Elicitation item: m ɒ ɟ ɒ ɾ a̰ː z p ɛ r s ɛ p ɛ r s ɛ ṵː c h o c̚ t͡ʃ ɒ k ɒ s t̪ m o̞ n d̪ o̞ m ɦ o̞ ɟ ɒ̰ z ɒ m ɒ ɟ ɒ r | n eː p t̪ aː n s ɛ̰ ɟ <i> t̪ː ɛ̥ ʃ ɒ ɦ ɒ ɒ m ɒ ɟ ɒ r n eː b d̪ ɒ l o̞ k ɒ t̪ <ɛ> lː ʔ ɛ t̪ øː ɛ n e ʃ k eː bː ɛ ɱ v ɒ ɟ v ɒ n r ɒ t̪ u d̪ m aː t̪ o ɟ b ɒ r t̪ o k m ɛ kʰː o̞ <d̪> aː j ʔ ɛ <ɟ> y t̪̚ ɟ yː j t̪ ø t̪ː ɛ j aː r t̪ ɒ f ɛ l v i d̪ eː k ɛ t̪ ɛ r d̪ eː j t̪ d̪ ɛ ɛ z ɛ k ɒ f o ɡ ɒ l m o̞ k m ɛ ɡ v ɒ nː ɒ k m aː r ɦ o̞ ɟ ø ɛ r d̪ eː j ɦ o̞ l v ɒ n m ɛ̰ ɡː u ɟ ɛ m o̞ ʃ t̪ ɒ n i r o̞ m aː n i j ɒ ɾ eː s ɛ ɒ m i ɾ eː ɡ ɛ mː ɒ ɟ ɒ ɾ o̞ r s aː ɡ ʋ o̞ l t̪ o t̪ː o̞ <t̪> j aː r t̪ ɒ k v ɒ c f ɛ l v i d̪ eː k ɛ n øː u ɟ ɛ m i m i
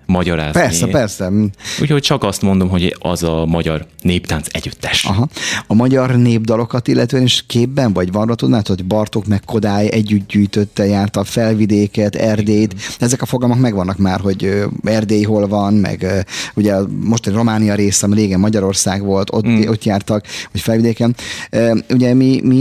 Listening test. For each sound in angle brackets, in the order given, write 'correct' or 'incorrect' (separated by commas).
incorrect, incorrect, correct, incorrect, correct